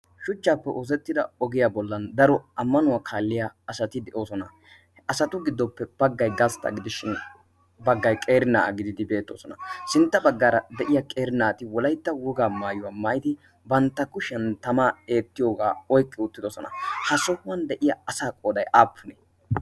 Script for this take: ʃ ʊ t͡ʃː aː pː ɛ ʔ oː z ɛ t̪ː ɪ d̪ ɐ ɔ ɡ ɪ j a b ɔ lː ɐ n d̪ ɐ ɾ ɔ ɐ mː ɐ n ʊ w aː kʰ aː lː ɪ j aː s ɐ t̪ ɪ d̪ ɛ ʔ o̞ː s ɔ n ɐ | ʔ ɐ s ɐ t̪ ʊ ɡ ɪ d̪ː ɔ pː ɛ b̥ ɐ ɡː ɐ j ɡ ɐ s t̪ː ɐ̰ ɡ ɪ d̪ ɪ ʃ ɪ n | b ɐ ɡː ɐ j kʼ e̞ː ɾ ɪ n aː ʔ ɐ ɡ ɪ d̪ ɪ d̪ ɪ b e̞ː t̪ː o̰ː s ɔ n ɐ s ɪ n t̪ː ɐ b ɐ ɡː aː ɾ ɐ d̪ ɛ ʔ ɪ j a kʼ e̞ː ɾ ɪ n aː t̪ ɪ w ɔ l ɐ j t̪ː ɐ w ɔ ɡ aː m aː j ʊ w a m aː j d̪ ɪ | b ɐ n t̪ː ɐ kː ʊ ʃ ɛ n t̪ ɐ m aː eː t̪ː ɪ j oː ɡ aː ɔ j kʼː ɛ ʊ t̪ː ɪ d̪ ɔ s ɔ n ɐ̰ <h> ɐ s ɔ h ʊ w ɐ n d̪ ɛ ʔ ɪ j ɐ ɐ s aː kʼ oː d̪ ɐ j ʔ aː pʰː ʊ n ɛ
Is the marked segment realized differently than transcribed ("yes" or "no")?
no